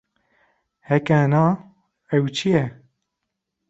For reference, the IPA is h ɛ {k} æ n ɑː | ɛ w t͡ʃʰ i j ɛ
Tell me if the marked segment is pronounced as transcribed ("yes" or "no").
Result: yes